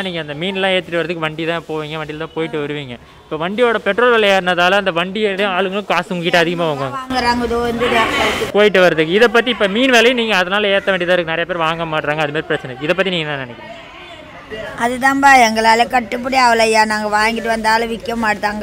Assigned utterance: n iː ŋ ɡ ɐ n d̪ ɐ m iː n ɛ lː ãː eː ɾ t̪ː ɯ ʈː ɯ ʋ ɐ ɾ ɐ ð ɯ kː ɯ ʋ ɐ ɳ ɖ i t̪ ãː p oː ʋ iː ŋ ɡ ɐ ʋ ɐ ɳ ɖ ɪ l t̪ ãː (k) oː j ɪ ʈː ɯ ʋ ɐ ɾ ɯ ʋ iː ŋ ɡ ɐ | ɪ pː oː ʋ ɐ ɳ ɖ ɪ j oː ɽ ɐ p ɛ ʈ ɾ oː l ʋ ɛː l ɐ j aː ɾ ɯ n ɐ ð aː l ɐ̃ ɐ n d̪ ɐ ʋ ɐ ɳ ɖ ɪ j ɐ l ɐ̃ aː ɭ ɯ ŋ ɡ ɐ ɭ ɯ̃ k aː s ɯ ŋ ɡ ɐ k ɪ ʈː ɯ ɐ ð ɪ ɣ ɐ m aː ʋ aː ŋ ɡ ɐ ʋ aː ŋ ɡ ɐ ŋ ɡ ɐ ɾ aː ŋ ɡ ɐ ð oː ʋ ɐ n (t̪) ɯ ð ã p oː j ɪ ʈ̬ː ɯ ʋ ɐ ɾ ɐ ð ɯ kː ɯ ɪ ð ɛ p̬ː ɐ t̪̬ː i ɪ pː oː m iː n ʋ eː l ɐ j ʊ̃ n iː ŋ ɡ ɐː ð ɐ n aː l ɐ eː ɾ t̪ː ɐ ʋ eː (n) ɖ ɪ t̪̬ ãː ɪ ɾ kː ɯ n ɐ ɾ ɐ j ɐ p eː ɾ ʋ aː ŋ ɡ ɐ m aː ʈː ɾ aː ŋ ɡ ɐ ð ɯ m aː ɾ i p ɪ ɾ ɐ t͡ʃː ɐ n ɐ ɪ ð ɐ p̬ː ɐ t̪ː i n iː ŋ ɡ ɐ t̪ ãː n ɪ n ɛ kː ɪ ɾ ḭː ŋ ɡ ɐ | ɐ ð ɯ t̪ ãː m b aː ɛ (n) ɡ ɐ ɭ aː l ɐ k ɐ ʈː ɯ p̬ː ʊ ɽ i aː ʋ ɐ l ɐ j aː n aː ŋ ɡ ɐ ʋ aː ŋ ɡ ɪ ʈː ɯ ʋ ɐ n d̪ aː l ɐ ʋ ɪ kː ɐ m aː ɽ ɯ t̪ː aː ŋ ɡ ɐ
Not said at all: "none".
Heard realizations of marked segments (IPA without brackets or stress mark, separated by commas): p, d̪, ɳ, ŋ